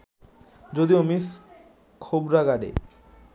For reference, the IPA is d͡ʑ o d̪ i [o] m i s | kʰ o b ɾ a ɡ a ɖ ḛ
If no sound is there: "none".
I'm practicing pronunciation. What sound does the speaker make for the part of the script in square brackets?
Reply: o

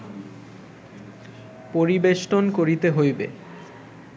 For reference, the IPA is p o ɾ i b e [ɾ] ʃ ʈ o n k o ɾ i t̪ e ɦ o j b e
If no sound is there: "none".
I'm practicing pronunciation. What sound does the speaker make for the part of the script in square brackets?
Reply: none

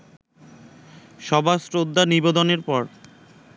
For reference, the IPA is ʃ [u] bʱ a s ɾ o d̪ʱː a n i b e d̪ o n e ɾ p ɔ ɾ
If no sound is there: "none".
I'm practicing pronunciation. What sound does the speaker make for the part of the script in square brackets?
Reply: ɔ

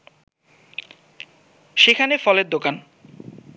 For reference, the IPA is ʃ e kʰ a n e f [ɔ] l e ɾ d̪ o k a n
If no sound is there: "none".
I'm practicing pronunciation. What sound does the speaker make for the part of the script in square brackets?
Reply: ɔ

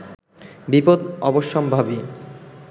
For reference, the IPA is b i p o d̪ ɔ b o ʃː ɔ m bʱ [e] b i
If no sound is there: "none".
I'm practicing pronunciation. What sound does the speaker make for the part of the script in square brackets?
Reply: a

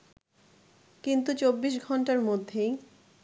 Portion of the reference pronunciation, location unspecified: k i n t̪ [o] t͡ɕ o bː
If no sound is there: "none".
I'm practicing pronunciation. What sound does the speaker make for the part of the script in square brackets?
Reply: u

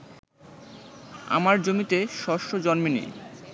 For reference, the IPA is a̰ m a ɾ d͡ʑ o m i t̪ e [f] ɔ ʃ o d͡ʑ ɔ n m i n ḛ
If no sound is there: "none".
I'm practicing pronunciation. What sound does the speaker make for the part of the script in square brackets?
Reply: ʃ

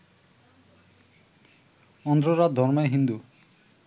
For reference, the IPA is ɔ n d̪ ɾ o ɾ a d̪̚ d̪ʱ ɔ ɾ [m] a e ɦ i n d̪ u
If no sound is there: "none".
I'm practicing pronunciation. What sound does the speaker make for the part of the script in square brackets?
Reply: m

